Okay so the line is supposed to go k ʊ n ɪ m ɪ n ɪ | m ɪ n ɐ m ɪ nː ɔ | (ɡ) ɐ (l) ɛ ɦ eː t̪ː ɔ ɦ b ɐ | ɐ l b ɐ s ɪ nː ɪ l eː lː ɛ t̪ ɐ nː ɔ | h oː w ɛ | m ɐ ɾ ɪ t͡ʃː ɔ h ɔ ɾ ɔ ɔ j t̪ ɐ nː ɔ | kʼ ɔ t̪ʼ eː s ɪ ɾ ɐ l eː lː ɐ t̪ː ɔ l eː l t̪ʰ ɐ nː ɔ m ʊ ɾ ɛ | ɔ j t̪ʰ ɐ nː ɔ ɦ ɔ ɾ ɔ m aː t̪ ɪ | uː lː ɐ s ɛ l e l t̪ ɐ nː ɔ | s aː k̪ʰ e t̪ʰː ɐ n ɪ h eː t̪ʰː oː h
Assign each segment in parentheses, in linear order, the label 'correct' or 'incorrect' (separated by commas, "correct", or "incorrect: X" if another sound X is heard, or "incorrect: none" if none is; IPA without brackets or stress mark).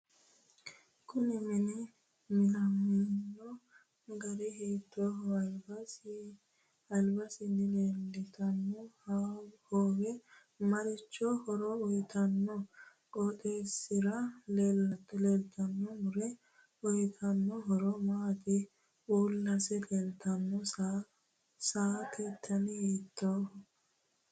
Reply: correct, incorrect: ɾ